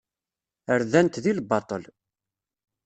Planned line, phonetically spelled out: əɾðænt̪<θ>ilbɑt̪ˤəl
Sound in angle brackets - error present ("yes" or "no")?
yes